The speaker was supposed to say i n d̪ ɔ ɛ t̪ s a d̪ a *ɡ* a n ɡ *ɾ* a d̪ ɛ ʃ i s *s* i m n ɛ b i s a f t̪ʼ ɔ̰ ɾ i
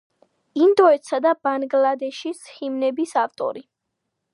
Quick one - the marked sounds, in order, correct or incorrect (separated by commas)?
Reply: incorrect, incorrect, incorrect